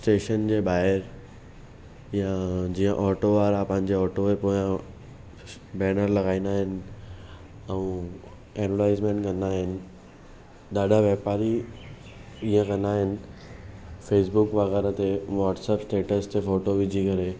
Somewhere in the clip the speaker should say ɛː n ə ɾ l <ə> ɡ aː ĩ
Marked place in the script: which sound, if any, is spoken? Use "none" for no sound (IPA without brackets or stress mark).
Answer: ɐ